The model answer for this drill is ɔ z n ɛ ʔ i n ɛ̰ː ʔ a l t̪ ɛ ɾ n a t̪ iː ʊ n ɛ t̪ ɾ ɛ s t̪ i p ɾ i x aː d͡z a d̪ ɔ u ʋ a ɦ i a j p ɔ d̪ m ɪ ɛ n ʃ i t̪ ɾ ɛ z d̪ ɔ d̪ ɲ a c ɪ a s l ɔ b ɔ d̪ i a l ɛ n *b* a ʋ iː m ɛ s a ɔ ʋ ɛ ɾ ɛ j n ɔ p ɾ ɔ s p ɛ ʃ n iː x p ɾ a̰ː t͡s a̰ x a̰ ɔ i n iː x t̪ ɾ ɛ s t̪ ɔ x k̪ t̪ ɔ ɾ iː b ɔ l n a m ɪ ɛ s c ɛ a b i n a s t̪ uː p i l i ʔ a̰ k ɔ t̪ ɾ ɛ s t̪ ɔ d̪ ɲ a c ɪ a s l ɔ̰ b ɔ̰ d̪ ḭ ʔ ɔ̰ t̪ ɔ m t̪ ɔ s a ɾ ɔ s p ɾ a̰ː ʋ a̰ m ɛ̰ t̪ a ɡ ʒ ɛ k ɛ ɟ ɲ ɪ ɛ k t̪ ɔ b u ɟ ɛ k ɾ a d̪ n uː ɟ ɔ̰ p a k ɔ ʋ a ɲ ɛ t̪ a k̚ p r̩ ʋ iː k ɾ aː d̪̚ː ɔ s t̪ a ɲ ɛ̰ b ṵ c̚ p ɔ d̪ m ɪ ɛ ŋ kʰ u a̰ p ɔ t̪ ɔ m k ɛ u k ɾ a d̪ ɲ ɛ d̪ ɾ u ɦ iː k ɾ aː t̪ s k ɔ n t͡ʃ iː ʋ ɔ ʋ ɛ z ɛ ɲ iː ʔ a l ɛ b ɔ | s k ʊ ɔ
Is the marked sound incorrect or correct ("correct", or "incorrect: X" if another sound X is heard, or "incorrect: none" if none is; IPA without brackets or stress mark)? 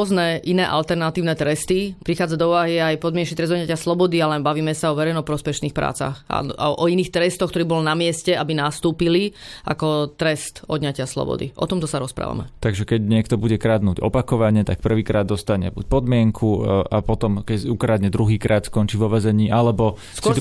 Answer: correct